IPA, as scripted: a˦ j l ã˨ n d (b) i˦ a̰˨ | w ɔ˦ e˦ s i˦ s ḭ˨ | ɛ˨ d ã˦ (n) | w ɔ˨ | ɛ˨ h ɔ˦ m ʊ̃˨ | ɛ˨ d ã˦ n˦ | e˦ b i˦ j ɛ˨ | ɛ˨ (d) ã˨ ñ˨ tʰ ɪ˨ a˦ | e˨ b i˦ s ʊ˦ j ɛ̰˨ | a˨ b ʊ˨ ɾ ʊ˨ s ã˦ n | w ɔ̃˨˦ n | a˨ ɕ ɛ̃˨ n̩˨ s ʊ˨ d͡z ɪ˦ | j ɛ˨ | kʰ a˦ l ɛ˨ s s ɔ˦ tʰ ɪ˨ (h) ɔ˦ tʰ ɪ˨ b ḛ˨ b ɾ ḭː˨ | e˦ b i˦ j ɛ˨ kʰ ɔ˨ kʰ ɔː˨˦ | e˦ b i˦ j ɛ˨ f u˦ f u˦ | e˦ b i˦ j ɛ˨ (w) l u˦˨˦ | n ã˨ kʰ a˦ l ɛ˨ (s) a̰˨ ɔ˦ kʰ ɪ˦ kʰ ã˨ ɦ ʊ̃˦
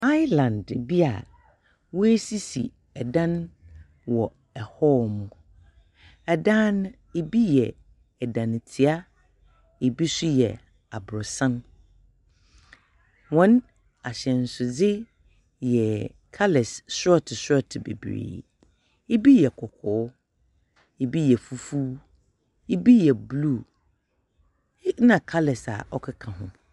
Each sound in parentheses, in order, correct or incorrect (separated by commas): correct, correct, correct, incorrect, incorrect, correct